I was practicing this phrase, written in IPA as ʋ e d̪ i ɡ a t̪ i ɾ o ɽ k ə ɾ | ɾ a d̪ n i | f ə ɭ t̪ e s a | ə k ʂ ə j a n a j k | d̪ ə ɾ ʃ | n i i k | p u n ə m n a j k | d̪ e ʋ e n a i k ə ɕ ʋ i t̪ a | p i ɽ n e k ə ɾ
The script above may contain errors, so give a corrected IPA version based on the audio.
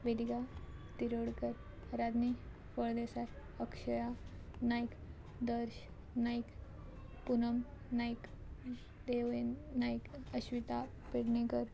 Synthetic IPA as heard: ʋ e d̪ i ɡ a t̪ i ɾ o ɽ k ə ɾ | ɾ a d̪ n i | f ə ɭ d̪ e s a | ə k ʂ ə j a n a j k | d̪ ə ɾ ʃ | n a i k | p u n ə m n a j k | d̪ e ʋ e n a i k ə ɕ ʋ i t̪ a | p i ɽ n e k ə ɾ